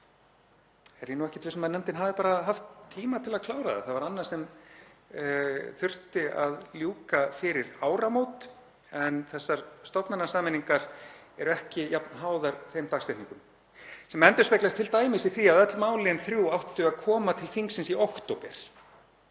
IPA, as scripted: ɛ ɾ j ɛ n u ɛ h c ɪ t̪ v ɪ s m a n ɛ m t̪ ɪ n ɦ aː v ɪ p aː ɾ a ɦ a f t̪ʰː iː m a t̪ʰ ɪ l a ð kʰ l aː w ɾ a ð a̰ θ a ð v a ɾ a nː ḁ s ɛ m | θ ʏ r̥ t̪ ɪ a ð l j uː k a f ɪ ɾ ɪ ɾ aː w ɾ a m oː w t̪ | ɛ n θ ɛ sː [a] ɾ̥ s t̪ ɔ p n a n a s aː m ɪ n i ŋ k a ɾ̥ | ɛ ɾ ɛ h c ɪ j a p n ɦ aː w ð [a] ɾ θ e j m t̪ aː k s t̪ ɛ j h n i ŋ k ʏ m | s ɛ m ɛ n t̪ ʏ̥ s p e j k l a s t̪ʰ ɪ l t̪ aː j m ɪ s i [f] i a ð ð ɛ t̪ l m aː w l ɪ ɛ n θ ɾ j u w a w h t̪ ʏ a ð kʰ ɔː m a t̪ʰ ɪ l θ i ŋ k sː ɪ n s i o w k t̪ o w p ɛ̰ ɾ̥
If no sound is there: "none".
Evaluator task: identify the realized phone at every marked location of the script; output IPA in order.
a, a, θ

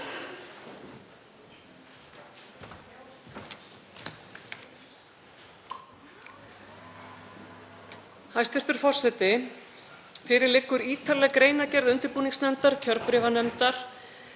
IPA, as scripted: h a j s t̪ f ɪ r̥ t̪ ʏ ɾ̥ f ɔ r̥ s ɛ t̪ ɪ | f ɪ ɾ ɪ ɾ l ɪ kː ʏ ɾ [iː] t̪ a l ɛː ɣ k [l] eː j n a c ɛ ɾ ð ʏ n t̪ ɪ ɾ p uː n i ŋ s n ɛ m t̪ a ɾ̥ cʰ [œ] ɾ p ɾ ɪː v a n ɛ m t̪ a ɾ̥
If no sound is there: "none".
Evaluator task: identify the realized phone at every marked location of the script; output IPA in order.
iː, ɾ, œ

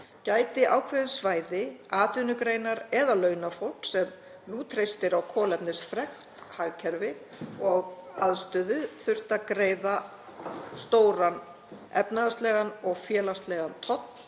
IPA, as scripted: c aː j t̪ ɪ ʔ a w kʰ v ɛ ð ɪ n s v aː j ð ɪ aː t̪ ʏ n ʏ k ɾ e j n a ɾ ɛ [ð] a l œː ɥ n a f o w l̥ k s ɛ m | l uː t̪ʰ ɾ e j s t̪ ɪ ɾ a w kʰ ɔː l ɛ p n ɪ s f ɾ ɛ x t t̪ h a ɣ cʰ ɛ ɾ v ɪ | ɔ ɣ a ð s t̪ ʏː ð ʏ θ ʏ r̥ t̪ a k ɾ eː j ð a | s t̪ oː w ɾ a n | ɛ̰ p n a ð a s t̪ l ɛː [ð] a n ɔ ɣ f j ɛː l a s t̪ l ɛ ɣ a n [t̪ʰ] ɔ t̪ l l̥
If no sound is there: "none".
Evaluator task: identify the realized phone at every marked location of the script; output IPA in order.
ð, ɣ, t̪ʰ

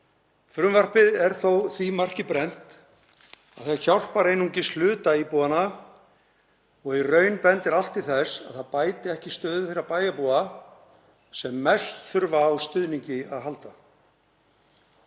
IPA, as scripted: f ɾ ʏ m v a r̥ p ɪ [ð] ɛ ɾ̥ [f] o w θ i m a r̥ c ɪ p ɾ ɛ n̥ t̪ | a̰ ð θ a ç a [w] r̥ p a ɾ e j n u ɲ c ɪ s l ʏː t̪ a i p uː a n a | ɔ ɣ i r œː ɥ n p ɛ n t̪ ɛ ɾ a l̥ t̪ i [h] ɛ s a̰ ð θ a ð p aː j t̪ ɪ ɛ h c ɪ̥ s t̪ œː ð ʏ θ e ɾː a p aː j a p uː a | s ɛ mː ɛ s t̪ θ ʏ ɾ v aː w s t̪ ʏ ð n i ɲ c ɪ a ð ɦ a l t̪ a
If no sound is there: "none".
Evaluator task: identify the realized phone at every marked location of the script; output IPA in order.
ð, θ, w, θ

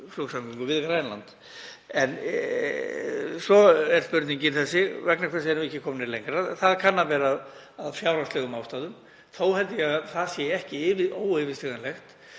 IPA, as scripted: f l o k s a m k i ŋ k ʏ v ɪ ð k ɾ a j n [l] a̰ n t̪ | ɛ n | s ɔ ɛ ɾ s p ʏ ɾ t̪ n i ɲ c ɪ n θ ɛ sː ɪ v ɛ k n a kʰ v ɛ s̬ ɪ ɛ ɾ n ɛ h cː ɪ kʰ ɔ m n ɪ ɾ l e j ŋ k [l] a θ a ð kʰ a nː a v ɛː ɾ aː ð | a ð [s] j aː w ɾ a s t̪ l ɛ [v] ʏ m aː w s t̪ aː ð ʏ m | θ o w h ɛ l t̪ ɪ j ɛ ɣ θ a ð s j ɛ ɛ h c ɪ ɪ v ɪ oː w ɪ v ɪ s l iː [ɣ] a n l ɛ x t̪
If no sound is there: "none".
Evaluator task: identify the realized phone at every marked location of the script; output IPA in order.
l, ɾ, f, ɣ, ɣ

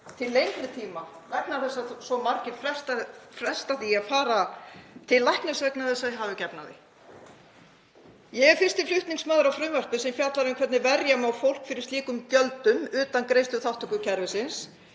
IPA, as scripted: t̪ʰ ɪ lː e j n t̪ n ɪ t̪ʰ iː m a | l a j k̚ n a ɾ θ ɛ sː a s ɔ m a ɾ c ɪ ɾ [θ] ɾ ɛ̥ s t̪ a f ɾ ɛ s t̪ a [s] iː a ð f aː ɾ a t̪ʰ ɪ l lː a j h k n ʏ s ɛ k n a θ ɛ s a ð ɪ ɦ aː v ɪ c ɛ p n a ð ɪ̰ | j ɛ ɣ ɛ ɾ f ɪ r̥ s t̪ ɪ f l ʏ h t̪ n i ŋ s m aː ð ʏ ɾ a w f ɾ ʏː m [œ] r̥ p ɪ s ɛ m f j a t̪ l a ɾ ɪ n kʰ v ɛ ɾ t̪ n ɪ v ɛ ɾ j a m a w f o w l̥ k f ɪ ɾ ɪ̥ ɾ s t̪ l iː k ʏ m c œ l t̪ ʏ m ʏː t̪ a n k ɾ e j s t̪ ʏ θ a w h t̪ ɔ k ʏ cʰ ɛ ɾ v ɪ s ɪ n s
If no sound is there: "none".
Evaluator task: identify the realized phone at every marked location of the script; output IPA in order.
f, θ, œ

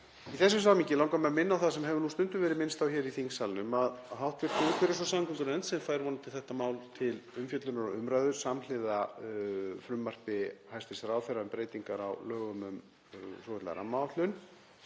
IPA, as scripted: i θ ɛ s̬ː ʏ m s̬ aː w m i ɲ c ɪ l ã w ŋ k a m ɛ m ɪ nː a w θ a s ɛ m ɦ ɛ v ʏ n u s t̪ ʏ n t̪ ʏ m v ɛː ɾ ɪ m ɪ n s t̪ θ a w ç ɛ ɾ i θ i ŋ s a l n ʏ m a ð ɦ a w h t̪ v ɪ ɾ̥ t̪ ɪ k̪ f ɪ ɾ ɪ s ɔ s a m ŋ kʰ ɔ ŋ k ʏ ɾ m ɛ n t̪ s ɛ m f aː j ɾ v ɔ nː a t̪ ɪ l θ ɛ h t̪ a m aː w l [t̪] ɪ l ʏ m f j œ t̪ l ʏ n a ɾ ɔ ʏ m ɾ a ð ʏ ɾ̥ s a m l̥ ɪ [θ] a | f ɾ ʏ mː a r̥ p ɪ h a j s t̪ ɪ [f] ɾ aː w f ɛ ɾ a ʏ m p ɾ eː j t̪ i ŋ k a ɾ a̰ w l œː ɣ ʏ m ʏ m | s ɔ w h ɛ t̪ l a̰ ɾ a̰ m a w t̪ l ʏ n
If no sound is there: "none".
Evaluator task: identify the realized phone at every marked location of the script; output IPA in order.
t̪ʰ, ð, s

